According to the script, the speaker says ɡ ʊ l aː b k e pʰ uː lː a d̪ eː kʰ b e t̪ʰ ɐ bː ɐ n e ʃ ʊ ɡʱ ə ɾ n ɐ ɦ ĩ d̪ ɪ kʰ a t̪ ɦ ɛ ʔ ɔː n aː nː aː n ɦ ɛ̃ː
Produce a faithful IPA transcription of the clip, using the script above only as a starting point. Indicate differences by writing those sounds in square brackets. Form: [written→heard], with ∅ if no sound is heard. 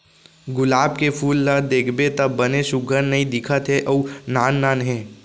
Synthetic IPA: ɡ ʊ l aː b k e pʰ uː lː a d̪ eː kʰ b e [t̪ʰ→t̪] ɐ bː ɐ n e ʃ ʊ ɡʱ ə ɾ n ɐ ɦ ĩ d̪ ɪ kʰ [a→ə] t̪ ɦ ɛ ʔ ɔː n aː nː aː n ɦ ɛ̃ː